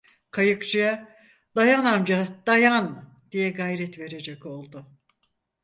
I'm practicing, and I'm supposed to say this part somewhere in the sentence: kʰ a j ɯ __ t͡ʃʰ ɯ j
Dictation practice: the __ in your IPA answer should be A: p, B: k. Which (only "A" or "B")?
B